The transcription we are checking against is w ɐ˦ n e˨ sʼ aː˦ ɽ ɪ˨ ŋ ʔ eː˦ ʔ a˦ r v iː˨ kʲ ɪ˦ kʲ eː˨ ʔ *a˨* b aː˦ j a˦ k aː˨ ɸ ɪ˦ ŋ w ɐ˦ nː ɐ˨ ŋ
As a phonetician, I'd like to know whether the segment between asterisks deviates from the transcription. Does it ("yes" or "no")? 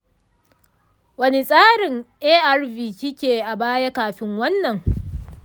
no